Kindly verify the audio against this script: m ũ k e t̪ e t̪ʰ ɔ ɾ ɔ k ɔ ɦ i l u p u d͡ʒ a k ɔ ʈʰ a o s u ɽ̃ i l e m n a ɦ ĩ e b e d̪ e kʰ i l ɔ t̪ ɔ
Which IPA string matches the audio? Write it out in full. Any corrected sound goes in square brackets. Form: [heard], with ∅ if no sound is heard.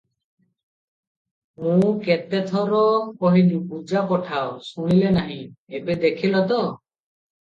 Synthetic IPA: m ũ k e t̪ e t̪ʰ ɔ ɾ ɔ k ɔ ɦ i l u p u d͡ʒ a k ɔ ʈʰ a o s u ɽ̃ i l e [∅] n a ɦ ĩ e b e d̪ e kʰ i l ɔ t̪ ɔ